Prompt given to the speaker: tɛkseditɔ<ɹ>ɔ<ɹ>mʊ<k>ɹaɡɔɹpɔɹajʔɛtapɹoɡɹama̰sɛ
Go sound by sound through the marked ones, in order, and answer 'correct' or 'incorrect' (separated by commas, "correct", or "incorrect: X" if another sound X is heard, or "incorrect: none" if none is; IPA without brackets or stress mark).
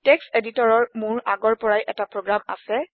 correct, correct, incorrect: none